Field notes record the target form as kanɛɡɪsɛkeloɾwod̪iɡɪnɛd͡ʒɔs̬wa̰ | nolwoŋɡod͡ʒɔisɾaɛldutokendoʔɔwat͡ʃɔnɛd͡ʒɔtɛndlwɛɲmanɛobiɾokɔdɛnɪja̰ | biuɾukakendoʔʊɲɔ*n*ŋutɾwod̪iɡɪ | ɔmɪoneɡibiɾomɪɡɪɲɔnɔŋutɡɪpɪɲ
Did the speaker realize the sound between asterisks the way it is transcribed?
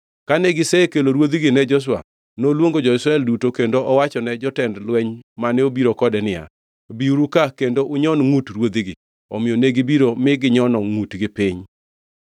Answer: yes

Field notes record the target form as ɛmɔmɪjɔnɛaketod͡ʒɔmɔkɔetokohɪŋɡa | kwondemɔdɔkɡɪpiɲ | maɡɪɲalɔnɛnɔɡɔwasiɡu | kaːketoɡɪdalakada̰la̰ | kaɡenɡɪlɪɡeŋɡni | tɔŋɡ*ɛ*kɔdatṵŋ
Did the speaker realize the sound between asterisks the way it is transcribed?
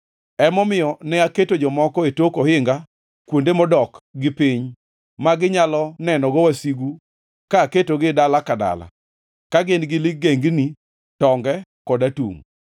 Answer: yes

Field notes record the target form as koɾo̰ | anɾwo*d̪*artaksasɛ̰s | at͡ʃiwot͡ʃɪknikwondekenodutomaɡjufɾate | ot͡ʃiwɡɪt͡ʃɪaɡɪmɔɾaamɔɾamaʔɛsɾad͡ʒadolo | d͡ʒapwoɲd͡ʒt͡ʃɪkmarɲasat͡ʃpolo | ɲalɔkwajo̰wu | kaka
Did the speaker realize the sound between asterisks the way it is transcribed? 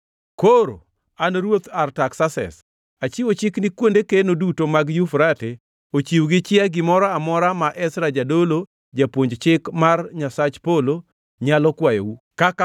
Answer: no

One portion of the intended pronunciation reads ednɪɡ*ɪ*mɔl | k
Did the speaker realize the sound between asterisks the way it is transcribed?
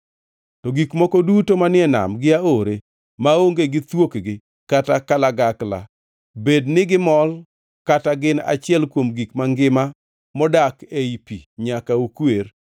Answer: yes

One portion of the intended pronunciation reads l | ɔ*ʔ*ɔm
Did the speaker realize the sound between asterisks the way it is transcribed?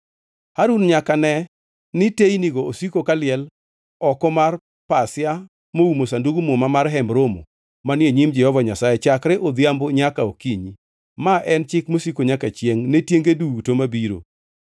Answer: no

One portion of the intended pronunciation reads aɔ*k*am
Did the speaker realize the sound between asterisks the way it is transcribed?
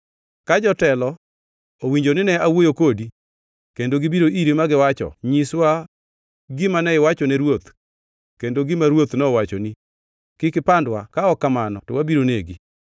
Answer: yes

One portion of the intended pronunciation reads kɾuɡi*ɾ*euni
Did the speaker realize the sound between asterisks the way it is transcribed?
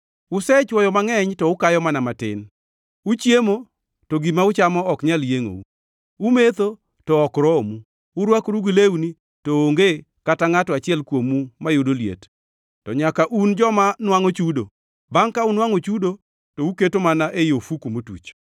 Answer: no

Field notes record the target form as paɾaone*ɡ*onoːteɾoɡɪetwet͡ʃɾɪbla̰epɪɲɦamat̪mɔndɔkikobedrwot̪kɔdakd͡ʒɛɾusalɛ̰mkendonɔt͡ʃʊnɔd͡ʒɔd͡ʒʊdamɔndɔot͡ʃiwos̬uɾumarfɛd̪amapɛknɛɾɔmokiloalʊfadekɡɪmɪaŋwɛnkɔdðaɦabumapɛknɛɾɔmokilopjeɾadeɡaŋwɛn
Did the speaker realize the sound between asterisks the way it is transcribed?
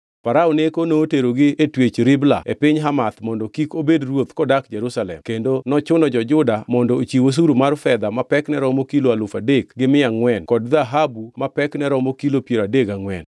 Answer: no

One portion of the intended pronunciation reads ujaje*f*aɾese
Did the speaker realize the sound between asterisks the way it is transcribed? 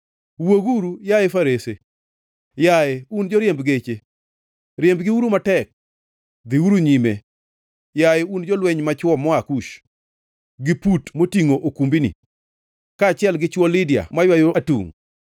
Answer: yes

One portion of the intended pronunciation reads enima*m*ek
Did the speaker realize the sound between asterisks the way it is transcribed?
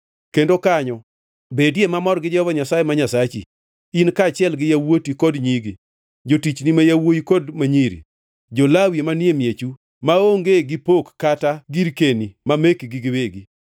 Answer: yes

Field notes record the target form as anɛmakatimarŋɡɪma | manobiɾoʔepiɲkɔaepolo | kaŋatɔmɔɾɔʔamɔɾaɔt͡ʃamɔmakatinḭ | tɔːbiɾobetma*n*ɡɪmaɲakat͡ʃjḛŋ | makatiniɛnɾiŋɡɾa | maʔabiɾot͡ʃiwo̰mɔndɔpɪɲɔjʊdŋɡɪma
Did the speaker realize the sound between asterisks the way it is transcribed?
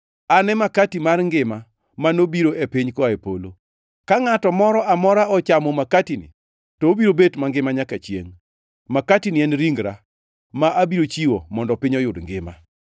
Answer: no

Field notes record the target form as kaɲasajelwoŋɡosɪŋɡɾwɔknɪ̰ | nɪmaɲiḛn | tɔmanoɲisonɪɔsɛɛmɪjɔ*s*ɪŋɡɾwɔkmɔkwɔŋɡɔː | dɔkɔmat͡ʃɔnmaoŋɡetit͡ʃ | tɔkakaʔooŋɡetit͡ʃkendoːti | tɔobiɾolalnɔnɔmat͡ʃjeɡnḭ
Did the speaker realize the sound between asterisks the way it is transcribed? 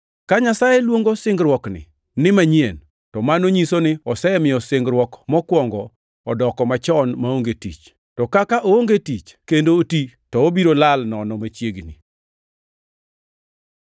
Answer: yes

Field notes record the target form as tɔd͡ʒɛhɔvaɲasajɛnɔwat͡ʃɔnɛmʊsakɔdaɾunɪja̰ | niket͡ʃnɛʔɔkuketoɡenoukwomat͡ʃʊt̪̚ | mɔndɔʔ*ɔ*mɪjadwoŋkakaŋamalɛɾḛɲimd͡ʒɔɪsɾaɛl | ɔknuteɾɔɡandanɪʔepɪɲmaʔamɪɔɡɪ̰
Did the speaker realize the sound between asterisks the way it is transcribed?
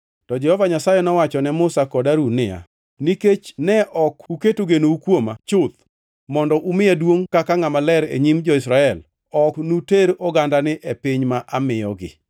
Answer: no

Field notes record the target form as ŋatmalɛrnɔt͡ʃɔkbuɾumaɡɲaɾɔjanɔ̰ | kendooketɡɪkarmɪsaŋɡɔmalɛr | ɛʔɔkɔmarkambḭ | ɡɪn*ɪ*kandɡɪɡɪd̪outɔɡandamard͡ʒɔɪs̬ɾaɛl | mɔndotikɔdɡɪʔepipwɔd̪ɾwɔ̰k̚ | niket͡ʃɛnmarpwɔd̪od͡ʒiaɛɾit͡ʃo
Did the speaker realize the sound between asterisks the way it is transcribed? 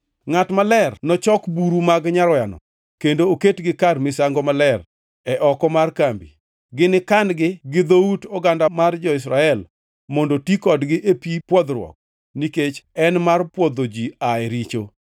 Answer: yes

